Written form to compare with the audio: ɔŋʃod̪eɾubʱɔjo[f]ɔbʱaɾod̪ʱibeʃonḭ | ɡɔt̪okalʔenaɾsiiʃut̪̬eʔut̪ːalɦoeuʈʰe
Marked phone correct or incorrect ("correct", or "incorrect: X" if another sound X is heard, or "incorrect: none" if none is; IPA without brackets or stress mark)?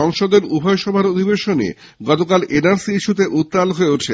incorrect: ʃ